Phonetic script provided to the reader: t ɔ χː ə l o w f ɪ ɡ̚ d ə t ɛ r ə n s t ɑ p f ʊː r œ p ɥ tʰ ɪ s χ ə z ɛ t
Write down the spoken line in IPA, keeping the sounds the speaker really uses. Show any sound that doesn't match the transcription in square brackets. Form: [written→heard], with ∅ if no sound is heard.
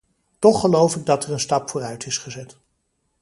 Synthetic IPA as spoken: t ɔ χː ə l o w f ɪ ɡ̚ d [ə→ɑ] t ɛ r ə n s t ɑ p f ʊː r œ [p→∅] ɥ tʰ ɪ s χ ə z ɛ t

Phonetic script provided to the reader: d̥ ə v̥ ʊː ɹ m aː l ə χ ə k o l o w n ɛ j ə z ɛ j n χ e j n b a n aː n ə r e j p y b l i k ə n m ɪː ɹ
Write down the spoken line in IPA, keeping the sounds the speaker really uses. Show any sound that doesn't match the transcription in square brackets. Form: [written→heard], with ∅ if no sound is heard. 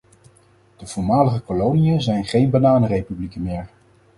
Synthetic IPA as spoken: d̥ ə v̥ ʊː ɹ m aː l ə χ ə k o l o w n [ɛ→i] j ə z ɛ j n χ e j n b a n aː n ə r e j p y b l i k ə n m ɪː ɹ

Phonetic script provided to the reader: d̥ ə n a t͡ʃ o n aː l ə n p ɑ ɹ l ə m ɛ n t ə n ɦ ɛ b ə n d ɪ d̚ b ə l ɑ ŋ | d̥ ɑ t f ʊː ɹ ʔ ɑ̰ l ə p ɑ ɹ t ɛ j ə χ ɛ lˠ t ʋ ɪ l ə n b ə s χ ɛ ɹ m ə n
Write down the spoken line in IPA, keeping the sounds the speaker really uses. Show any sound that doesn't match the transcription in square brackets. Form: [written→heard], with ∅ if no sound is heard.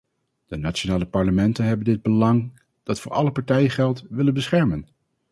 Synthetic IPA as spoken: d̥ ə n a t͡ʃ o n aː l ə [n→∅] p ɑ ɹ l ə m ɛ n t ə n ɦ ɛ b ə n d ɪ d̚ b ə l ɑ ŋ | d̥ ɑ t f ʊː ɹ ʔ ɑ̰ l ə p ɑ ɹ t ɛ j ə χ ɛ lˠ t ʋ ɪ l ə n b ə s χ ɛ ɹ m ə n

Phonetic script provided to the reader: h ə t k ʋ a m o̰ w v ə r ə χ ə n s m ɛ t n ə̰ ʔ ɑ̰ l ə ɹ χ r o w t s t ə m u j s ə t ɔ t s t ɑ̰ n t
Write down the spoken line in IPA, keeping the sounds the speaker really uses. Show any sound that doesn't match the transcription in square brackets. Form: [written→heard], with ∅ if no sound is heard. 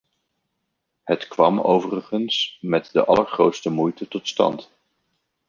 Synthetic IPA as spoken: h ə t k ʋ [a→ɑ] m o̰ w v ə r ə χ ə n s m ɛ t [n→d] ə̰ ʔ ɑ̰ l ə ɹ χ r o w t s t ə m u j [s→t] ə t ɔ t s t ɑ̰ n t

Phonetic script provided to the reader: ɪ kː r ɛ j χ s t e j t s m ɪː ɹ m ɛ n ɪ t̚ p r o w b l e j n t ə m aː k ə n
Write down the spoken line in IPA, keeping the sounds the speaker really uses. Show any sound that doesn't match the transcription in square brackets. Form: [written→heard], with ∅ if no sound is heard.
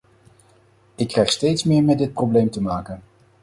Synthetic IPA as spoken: ɪ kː r ɛ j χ s t e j t s m ɪː ɹ m ɛ [n→d] ɪ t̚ p r o w b l e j [n→m] t ə m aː k ə n

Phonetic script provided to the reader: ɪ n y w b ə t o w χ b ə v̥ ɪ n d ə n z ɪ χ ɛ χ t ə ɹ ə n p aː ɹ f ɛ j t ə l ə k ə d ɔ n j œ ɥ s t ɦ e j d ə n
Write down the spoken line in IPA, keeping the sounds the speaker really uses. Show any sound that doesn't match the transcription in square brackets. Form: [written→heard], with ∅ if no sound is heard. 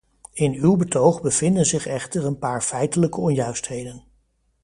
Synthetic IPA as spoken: ɪ n y w b ə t o w χ b ə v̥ ɪ n d ə n z ɪ χ ɛ χ t ə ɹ ə n p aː ɹ f ɛ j t ə l ə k ə [d→∅] ɔ n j œ ɥ s t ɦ e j d ə n

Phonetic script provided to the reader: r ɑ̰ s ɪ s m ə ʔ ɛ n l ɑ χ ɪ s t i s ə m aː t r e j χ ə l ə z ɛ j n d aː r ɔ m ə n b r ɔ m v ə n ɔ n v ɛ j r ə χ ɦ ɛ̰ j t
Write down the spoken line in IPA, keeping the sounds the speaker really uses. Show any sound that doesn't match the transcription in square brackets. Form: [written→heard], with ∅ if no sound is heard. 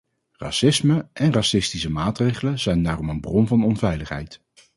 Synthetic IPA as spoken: r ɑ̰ s ɪ s m ə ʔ ɛ n [l→r] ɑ [χ→s] ɪ s t i s ə m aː t r e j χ ə l ə z ɛ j n d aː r ɔ m ə n b r ɔ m v [ə→ɑ] n ɔ n v ɛ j [r→l] ə χ ɦ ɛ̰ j t

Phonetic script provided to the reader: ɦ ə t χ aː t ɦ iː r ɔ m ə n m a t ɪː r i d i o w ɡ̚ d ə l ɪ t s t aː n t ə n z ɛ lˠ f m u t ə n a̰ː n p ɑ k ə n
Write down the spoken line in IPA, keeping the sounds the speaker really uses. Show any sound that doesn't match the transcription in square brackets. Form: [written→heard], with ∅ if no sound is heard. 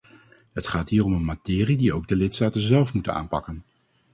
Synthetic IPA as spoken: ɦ ə t χ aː t ɦ iː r ɔ m ə n m a t ɪː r i d i o w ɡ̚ d ə l ɪ t s t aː [n→∅] t ə n z ɛ lˠ f m u t ə n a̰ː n p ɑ k ə n

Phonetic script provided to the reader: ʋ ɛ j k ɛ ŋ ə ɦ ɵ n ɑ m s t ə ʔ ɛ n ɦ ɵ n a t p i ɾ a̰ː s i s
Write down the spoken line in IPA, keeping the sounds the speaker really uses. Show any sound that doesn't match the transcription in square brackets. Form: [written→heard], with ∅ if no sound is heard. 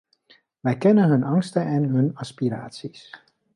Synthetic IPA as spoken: ʋ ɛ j k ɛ [ŋ→n] ə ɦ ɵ n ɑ [m→ŋ] s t ə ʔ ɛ n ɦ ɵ n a [t→s] p i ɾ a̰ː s i s

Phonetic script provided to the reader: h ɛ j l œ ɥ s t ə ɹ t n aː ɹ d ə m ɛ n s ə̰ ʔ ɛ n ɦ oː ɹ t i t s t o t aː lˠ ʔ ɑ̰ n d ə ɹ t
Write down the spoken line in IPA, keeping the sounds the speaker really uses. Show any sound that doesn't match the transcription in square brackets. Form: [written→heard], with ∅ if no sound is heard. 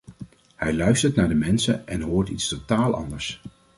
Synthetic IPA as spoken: h ɛ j l œ ɥ s t ə ɹ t n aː ɹ d ə m ɛ n s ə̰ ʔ ɛ n ɦ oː ɹ t i t s t o t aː lˠ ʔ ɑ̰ n d ə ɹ [t→s]

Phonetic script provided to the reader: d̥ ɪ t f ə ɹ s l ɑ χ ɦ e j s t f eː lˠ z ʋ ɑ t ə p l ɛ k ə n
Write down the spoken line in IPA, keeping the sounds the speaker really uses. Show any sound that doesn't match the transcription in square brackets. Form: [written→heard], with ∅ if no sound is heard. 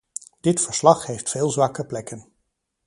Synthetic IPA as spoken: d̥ ɪ t f ə ɹ s l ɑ χ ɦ e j [s→f] t f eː lˠ z ʋ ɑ [t→k] ə p l ɛ k ə n

